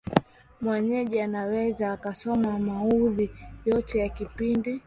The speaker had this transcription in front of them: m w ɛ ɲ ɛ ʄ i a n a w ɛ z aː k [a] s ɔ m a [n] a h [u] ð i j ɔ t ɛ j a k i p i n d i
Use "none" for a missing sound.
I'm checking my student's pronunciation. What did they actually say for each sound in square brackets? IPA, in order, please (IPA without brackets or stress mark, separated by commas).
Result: a, m, u